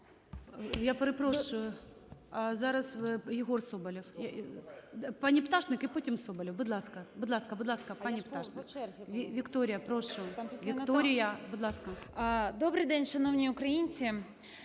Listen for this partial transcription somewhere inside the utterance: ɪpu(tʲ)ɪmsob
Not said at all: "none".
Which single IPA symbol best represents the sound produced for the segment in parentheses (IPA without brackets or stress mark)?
tʲ